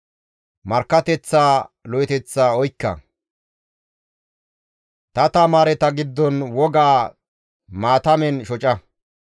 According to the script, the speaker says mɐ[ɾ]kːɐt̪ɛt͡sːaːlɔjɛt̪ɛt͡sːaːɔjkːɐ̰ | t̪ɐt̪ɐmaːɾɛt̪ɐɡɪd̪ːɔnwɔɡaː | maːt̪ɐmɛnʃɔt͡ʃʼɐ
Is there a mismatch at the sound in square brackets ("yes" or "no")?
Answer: no